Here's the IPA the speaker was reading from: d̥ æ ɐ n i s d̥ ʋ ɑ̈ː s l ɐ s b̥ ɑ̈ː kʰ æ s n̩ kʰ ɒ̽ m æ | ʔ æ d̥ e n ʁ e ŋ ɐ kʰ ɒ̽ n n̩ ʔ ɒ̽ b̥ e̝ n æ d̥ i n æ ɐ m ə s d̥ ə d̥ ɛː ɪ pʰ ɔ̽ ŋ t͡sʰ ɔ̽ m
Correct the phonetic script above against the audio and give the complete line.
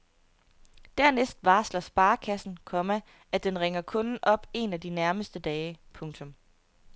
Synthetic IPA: d̥ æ ɐ n e s d̥ ʋ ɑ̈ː s l ɐ s b̥ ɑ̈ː kʰ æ s n̩ kʰ ɒ̽ m æ | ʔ æ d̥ e n ʁ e ŋ ɐ kʰ ɔ̽ n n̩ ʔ ɒ̽ b̥ e̝ n æ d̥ i n æ ɐ m ə s d̥ ə d̥ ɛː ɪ pʰ ɔ̽ ŋ t͡sʰ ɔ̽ m